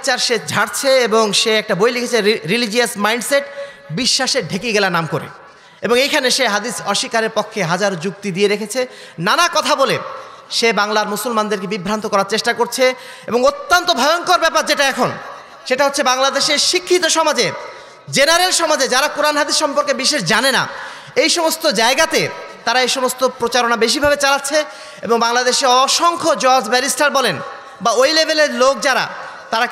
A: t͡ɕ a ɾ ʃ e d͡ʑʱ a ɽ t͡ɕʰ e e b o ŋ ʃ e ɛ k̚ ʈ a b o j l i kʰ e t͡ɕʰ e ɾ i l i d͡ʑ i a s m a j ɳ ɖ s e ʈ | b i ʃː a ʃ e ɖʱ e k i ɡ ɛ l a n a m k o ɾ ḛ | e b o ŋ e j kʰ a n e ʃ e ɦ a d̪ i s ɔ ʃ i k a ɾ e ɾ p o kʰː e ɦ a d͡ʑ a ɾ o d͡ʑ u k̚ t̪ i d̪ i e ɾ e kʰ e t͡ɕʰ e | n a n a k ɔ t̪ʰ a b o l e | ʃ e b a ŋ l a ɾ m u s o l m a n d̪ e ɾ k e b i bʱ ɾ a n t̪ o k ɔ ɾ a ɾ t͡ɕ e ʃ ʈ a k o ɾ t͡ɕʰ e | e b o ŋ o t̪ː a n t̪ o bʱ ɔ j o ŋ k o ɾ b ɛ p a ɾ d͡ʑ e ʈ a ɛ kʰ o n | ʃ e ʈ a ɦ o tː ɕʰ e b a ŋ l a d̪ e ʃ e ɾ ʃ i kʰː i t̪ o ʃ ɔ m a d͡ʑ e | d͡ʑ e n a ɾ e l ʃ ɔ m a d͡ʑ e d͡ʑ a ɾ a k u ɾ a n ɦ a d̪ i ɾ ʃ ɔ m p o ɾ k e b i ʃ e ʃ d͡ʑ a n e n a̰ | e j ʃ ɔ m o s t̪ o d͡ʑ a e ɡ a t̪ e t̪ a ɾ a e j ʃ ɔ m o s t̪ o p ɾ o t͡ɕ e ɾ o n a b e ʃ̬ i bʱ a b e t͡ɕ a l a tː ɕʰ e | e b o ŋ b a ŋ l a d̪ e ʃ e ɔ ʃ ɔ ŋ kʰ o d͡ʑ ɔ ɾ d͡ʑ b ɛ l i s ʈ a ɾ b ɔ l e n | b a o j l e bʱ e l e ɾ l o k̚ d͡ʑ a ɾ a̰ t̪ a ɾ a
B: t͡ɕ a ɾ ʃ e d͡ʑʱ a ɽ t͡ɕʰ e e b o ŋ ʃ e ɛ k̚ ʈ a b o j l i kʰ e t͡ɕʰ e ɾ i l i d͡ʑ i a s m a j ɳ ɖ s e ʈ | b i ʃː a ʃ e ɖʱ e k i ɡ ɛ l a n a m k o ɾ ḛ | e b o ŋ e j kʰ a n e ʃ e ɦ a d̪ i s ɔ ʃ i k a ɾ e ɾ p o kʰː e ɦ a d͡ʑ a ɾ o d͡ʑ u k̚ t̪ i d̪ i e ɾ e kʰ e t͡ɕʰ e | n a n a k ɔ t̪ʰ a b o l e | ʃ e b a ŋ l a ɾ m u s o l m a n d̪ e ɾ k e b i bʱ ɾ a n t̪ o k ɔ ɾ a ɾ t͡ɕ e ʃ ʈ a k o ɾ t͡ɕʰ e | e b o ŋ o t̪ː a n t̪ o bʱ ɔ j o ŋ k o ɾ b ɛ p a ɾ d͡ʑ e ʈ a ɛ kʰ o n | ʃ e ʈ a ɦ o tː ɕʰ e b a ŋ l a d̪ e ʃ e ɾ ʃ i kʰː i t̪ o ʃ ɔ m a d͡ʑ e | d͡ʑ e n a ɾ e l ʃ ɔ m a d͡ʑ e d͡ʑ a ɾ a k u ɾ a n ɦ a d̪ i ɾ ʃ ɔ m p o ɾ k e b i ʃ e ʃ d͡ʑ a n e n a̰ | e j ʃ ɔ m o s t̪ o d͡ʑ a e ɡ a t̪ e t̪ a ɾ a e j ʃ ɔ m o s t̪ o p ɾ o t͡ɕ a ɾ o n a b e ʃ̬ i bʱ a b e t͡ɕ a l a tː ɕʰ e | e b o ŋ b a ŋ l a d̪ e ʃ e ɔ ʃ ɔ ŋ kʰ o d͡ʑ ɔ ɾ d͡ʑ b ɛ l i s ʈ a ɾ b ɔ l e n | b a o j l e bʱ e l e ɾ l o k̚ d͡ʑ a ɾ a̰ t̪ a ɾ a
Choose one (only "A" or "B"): B